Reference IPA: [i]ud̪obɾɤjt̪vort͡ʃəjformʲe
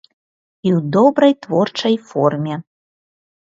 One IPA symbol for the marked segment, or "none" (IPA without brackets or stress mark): i